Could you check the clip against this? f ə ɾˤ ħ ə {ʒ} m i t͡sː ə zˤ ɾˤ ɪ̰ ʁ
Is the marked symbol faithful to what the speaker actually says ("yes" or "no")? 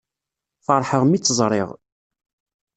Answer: no